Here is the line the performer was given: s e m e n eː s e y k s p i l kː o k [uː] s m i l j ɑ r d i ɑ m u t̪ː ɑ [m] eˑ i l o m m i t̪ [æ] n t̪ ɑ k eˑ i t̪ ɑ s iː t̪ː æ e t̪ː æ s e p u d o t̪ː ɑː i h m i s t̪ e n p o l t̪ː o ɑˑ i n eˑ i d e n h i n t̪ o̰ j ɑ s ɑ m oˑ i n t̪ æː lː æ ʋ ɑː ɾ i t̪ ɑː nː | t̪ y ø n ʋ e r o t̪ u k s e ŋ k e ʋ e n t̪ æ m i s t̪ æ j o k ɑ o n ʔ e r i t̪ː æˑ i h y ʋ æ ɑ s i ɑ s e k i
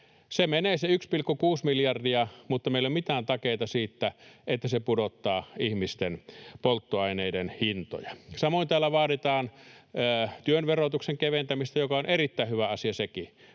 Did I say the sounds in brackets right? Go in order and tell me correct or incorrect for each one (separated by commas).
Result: correct, correct, incorrect